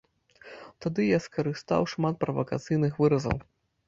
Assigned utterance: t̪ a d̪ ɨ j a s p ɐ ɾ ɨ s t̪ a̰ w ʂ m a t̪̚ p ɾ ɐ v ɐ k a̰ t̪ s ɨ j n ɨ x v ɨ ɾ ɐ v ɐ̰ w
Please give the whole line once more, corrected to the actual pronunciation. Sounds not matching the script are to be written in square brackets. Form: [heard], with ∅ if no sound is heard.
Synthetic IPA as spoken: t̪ a d̪ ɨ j a s [k] ɐ ɾ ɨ s t̪ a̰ w ʂ m a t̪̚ p ɾ ɐ v ɐ k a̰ t̪ s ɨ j n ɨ x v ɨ ɾ ɐ [z] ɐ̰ w